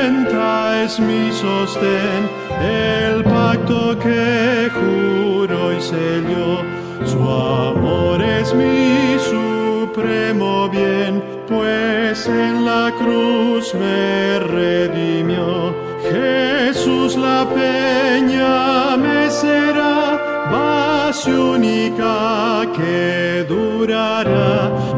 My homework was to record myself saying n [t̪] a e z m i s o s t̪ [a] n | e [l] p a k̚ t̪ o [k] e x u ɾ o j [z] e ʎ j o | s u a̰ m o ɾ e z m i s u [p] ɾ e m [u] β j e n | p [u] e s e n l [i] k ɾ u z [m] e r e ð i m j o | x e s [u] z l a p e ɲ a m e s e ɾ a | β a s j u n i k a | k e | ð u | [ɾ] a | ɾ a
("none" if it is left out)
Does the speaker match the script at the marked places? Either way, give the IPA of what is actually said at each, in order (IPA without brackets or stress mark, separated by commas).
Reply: t̪, e, l, k, s, p, o, w, a, m, u, ɾ